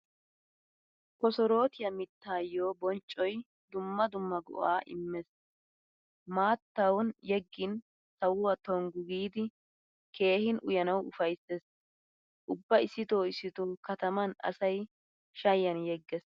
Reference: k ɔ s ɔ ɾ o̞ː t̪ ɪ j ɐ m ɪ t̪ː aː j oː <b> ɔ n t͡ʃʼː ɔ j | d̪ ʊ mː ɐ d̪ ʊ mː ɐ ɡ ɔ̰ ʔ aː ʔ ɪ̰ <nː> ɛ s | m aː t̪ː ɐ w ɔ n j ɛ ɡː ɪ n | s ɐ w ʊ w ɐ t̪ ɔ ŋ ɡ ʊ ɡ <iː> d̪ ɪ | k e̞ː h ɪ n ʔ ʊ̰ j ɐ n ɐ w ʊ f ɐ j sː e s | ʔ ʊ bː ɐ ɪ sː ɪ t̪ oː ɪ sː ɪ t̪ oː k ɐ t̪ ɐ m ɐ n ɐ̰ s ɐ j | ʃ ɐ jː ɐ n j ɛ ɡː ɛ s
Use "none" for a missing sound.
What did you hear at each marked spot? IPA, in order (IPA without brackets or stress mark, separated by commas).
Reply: b, mː, iː